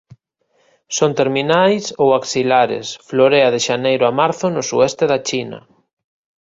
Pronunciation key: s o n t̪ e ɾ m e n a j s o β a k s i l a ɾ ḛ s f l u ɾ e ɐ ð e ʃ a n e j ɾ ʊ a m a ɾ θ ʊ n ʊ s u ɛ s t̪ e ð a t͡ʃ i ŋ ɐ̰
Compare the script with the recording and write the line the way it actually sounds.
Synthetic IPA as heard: s o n t̪ e ɾ m i n a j s o w a k s i l a ɾ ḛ s f l o ɾ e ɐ ð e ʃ a n e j ɾ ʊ a m a ɾ θ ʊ n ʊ s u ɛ s t̪ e ð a t͡ʃ i n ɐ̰